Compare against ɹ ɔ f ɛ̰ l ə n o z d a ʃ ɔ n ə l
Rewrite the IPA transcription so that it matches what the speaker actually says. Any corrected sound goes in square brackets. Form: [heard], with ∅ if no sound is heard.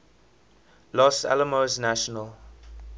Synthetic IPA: [l] ɔ [s] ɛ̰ l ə [m] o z [n] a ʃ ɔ n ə l